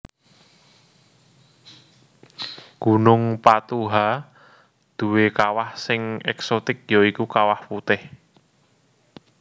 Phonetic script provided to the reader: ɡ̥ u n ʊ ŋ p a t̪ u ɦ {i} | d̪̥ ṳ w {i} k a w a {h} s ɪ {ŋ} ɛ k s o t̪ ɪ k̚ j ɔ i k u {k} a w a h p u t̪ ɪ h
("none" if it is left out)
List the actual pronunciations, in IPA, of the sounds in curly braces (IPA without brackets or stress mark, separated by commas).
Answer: a, e, h, ŋ, k